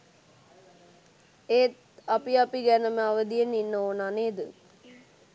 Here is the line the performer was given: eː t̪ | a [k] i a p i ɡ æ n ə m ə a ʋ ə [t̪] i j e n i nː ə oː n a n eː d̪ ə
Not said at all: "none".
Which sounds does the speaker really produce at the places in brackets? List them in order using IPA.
p, d̪

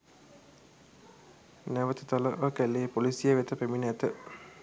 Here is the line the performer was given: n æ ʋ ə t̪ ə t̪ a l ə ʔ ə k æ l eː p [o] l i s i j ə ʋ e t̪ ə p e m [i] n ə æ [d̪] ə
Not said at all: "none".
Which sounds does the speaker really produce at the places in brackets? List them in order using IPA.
o, i, t̪

